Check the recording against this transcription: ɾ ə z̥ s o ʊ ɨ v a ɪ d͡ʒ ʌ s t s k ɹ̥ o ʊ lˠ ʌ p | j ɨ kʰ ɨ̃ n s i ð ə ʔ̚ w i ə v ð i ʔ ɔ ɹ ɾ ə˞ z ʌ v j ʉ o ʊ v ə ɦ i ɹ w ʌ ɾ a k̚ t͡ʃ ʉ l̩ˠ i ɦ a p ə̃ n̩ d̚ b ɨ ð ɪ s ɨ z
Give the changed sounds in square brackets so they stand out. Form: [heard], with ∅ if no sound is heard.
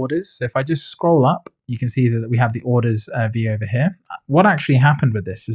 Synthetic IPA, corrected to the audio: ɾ ə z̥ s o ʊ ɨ [f] a ɪ d͡ʒ ʌ s t s k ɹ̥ o ʊ lˠ ʌ p | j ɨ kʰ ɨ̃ n s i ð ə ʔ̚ w i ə v ð i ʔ ɔ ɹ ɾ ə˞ z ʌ v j ʉ o ʊ v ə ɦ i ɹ w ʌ ɾ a k̚ t͡ʃ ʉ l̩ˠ i ɦ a p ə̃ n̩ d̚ [w] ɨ ð ɪ s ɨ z